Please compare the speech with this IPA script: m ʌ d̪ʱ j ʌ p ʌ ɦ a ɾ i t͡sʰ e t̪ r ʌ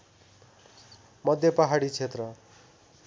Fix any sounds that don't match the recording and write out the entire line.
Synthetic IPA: m ʌ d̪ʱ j ʌ p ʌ ɦ a ɽ i t͡sʰ e t̪ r ʌ